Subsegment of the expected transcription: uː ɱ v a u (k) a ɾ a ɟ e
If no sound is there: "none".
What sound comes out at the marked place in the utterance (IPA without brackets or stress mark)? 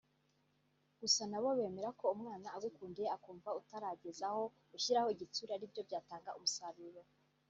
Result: t